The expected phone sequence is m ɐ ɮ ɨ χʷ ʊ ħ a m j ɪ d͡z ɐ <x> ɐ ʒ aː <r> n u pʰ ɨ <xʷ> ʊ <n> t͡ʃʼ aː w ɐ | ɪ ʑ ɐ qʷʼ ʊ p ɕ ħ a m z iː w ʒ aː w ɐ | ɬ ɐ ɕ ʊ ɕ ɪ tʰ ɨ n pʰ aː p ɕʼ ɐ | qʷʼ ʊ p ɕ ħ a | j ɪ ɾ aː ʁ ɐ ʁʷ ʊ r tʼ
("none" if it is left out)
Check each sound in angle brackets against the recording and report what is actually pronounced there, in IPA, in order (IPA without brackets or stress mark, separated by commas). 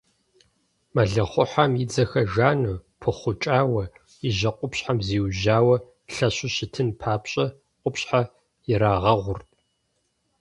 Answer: x, none, χʷ, none